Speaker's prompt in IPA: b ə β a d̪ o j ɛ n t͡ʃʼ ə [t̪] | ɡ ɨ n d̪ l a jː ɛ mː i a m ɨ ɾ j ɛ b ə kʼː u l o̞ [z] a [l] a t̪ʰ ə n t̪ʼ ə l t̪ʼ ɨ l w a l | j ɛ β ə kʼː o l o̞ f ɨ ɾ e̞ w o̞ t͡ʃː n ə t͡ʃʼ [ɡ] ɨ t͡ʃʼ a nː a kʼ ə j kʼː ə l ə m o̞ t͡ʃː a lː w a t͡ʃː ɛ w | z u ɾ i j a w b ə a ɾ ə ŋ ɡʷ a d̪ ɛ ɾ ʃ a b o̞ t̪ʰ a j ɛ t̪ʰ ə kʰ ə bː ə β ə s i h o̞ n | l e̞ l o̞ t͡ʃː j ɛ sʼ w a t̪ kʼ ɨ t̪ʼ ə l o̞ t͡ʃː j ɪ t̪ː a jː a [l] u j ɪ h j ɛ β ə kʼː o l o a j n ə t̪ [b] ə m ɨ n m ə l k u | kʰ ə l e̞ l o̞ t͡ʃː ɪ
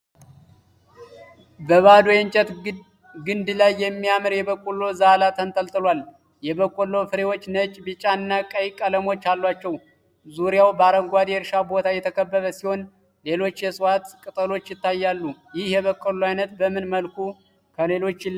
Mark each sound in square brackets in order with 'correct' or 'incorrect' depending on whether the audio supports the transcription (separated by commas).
correct, correct, correct, incorrect, incorrect, correct